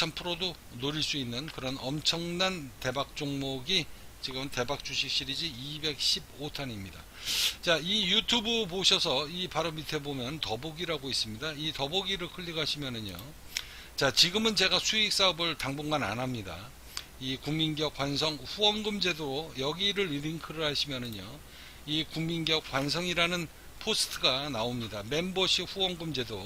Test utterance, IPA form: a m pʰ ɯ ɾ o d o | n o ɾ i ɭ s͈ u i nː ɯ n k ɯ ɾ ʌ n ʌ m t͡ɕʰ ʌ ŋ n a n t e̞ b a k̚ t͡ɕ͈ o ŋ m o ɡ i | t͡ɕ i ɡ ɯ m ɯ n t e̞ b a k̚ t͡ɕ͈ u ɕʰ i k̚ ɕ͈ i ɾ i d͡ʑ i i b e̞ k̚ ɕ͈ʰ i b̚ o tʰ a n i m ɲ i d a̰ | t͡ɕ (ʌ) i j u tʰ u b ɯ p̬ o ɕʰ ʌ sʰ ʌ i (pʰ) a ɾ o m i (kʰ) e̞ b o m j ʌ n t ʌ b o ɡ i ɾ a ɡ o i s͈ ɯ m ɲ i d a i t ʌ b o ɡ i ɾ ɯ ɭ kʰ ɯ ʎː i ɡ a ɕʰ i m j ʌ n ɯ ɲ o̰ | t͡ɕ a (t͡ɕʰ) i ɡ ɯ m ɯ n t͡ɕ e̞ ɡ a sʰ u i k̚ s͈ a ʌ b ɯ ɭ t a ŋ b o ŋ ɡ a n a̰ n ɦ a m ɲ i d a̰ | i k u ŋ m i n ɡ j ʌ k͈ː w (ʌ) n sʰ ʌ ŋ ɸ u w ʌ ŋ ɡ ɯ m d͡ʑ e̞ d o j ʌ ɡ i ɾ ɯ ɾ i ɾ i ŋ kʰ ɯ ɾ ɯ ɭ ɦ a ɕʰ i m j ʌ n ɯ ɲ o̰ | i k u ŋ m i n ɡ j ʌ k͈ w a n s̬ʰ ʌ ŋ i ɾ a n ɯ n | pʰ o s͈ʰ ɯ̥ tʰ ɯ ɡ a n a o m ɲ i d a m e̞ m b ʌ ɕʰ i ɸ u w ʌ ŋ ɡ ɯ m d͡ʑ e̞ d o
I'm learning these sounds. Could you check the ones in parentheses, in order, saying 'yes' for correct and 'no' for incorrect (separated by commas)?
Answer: no, no, no, no, no